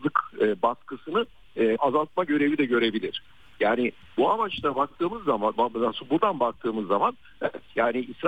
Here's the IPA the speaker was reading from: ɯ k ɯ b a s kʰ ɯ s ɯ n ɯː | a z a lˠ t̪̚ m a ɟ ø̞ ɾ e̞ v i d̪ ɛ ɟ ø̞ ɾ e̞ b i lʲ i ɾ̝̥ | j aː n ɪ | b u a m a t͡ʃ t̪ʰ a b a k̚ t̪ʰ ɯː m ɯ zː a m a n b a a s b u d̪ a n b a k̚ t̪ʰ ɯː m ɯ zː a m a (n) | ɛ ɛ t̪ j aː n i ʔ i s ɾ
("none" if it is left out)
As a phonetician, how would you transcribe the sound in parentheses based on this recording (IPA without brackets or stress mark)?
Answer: n